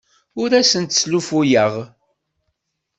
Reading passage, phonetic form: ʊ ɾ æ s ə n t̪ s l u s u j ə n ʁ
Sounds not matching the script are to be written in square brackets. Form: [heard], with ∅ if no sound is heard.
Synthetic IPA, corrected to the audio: ʊ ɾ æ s ə n t̪ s l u [f] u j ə [∅] ʁ